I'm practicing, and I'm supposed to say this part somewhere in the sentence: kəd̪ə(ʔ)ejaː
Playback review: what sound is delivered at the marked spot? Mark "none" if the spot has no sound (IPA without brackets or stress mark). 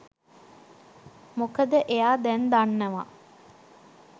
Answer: ʔ